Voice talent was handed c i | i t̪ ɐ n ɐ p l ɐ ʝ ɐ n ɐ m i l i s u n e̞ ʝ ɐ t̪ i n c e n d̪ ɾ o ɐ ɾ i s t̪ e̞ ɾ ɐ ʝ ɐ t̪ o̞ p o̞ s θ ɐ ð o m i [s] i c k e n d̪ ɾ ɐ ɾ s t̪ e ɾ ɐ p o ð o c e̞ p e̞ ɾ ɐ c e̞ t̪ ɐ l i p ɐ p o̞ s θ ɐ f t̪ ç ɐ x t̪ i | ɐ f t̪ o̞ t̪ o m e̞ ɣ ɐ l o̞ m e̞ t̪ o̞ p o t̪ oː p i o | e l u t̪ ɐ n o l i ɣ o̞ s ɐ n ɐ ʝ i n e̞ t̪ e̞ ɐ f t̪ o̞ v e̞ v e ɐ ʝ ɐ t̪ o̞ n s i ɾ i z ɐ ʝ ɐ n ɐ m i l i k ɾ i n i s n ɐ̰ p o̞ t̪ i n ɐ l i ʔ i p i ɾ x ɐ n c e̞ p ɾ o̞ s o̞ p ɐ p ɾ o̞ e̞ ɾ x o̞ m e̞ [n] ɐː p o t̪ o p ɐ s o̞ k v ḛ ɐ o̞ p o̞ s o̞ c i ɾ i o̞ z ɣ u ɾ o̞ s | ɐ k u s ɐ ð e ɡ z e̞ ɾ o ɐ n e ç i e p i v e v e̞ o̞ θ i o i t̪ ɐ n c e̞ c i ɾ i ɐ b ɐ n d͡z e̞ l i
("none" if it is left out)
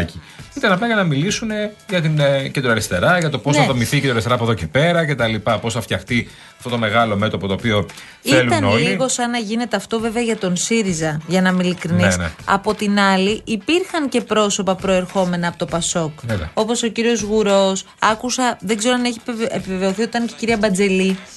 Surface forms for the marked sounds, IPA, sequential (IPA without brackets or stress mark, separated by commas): θ, n